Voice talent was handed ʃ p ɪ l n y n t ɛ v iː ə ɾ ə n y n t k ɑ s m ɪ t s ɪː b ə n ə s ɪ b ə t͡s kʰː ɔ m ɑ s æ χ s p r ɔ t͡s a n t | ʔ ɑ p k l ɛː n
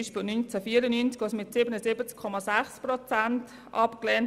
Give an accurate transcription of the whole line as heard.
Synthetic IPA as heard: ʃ p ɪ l n y n t͡s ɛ f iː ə ɾ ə n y n t͡s k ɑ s m ɪ t s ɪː b ə n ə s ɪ b ə t͡s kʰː ɔ m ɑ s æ χ s p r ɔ t͡s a n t | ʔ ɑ p k l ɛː n